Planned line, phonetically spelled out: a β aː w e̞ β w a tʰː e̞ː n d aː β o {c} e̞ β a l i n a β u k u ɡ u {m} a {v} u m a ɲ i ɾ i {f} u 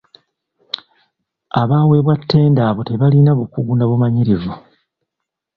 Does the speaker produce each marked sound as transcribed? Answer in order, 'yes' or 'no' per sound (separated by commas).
no, no, no, no